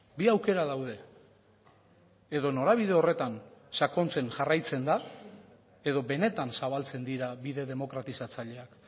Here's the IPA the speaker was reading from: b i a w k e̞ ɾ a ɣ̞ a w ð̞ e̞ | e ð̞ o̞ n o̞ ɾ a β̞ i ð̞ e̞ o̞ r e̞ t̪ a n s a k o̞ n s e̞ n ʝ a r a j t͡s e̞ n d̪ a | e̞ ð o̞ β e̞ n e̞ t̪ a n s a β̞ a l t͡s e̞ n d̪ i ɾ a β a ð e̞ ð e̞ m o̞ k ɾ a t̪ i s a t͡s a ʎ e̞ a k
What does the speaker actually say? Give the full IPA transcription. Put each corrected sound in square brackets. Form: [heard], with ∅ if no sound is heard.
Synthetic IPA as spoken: b i a w k e̞ ɾ a [ð̞] a w ð̞ e̞ | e ð̞ o̞ n o̞ ɾ a β̞ i ð̞ e̞ o̞ r e̞ t̪ a n s a k o̞ n [t͡s] e̞ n ʝ a r a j t͡s e̞ n d̪ a | e̞ ð o̞ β e̞ n e̞ t̪ a n s a β̞ a l t͡s e̞ n d̪ i ɾ a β [i] ð e̞ ð e̞ m o̞ k ɾ a t̪ i s a t͡s a ʎ e̞ a k